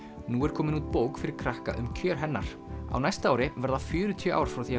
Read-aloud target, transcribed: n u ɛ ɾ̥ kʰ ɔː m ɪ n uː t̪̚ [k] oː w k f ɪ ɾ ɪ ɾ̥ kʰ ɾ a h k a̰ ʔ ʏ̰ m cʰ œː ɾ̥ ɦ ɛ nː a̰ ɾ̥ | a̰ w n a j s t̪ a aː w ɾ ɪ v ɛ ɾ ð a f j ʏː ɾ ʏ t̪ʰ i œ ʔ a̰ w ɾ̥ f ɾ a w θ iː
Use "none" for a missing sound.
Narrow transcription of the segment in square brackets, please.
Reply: p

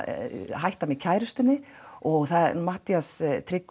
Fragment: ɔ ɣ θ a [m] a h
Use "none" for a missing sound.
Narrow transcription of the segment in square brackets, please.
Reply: m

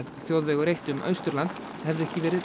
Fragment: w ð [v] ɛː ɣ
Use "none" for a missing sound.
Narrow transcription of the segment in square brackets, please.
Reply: v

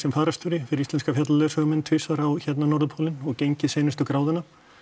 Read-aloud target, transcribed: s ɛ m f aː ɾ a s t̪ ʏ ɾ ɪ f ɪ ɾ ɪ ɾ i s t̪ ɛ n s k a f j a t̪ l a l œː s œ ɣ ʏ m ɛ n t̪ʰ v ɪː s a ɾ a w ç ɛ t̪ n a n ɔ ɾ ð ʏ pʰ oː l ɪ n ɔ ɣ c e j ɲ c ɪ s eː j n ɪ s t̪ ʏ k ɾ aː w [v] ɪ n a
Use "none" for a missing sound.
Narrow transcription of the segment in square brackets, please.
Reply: ð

